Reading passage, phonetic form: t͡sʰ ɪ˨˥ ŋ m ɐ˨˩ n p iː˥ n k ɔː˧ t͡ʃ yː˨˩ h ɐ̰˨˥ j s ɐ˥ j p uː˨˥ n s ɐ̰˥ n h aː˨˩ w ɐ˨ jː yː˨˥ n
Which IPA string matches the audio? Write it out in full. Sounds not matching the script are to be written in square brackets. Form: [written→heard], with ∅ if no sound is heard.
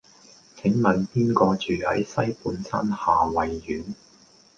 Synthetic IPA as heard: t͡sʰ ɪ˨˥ ŋ m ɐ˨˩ n p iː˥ n k ɔː˧ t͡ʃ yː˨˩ h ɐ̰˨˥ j s ɐ˥ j p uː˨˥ n s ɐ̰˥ n h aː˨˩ w ɐ˨ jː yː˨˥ n